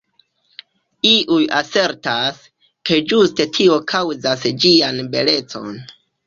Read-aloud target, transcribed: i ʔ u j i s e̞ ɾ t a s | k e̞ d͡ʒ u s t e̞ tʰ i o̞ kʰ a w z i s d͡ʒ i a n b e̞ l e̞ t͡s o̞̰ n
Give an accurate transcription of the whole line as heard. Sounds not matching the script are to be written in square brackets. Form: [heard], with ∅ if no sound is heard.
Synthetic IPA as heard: i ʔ u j [a] s e̞ ɾ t a s | k e̞ d͡ʒ u s t e̞ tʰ i o̞ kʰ a w z [a] s d͡ʒ i a n b e̞ l e̞ t͡s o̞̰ n